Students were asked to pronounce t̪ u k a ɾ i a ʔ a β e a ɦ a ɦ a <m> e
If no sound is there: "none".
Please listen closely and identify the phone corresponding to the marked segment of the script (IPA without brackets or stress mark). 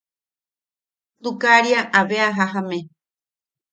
m